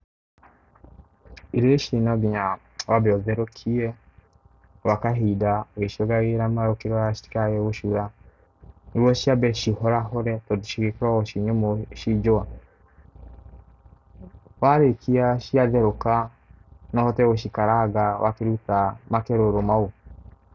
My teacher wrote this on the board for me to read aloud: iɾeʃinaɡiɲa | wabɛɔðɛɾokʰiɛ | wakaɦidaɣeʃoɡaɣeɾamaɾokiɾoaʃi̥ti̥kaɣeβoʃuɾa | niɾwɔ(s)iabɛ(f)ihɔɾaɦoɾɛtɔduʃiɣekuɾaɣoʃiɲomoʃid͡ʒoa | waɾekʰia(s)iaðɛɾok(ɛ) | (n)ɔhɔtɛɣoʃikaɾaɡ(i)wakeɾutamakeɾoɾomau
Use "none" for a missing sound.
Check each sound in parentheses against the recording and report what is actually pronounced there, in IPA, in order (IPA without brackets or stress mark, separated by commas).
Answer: ʃ, ʃ, ʃ, a, n, a